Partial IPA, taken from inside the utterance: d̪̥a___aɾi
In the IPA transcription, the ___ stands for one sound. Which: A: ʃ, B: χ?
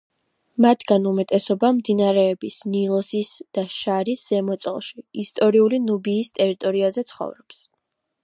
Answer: A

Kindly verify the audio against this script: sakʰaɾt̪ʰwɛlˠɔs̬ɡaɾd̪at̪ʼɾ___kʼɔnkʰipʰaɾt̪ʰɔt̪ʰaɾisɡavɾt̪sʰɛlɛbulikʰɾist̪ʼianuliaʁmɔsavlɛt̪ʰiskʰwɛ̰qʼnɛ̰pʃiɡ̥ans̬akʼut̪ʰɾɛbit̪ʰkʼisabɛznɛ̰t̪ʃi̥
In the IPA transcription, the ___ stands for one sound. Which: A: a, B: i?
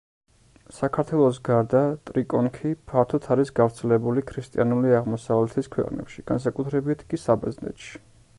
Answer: B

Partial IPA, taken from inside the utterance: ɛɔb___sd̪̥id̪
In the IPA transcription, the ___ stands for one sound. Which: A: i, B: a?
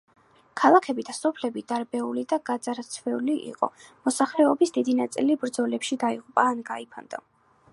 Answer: A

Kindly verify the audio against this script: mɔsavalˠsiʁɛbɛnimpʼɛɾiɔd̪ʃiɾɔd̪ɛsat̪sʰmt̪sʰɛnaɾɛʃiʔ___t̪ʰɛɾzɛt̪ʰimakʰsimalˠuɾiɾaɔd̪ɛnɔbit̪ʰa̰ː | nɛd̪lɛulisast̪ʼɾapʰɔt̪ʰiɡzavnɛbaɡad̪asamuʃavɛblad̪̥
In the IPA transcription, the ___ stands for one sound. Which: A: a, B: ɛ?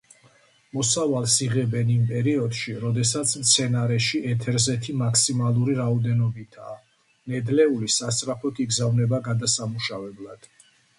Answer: B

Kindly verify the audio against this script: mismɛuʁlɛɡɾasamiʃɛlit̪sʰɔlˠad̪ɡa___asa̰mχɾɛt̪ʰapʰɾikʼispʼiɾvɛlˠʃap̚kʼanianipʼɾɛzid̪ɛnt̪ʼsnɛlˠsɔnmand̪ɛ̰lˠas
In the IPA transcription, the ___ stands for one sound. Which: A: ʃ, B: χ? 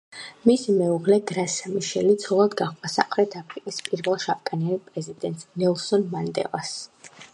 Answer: B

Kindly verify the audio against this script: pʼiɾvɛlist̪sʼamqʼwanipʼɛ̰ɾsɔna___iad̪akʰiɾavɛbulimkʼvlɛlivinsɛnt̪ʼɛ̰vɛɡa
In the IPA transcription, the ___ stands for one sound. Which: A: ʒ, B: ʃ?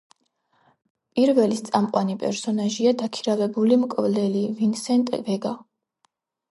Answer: A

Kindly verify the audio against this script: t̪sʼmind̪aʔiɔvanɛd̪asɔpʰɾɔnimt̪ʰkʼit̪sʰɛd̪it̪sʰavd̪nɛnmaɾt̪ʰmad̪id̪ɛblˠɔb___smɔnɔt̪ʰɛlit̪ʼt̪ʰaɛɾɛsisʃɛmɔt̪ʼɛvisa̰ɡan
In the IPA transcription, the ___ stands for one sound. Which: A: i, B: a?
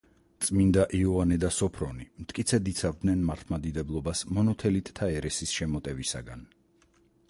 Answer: B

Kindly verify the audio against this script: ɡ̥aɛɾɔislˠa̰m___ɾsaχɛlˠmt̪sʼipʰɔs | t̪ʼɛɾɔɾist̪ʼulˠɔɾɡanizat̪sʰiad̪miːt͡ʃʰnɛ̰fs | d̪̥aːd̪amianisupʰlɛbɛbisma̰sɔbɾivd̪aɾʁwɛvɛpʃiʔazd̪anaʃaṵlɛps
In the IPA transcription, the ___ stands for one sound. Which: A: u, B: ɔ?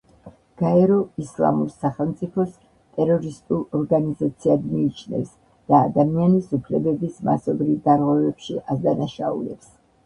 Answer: A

